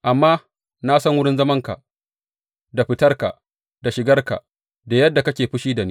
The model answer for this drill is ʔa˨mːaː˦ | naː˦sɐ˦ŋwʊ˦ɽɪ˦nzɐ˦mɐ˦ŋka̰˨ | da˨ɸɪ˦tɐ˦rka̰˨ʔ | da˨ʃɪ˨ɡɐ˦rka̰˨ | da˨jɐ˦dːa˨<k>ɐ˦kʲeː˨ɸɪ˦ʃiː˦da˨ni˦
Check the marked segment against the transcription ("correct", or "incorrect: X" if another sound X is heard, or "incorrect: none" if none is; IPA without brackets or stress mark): correct